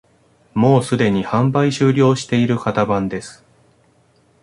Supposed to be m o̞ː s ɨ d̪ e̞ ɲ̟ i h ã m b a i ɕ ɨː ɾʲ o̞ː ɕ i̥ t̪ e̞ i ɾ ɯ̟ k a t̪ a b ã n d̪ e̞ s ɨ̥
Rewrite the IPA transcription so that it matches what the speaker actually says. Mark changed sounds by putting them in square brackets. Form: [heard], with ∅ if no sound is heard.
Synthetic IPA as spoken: m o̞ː s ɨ d̪ e̞ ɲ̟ i h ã m b a i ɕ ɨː ɾʲ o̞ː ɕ i̥ t̪ e̞ i ɾ ɯ̟ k a t̪ a b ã n d̪ e̞ s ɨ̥